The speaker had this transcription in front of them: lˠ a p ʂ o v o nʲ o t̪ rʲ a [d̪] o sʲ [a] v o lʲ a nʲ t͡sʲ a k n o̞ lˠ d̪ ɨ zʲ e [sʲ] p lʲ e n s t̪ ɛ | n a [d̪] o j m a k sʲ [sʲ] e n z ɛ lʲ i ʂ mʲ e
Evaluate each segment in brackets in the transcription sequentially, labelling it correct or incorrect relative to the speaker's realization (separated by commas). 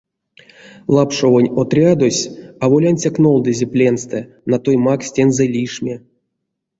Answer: correct, correct, incorrect, incorrect, incorrect